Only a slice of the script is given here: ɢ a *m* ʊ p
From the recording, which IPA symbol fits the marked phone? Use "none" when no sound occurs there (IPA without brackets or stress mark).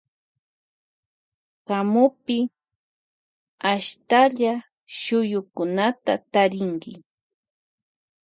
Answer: m